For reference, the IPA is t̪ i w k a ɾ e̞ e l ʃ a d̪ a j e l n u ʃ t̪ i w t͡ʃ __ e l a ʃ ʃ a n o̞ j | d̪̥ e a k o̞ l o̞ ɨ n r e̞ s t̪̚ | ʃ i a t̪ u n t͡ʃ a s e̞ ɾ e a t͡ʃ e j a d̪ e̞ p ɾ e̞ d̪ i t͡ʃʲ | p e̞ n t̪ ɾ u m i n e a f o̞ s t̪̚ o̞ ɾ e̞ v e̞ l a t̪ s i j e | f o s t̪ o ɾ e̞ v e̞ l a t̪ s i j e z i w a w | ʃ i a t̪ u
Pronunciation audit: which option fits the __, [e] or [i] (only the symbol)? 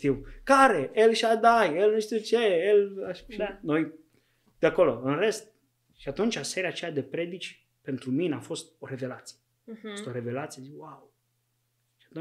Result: e